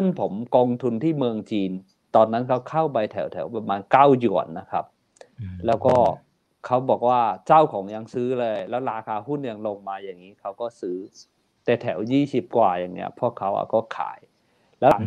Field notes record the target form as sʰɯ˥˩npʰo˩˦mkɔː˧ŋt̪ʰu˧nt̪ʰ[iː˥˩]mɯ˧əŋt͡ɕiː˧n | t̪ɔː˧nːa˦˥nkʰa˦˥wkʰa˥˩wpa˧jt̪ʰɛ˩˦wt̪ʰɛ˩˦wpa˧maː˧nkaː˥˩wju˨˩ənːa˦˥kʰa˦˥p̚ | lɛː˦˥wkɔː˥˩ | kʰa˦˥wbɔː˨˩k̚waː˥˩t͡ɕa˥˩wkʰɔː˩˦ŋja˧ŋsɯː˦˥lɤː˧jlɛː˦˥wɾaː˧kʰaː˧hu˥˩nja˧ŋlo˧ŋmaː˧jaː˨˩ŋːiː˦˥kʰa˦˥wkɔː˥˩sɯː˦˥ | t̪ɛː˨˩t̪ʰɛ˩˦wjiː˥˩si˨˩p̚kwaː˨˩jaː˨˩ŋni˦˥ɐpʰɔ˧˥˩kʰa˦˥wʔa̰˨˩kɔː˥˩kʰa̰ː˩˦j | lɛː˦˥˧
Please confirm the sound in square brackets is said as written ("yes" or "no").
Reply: yes